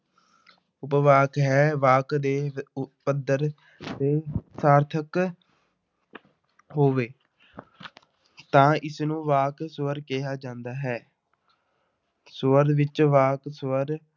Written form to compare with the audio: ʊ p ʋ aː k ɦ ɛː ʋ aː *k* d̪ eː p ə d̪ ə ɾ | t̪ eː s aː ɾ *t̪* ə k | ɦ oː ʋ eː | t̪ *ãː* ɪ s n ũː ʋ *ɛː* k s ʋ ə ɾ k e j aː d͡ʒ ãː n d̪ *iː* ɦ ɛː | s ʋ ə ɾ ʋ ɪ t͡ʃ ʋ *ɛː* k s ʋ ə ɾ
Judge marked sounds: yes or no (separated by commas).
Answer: yes, no, yes, no, no, no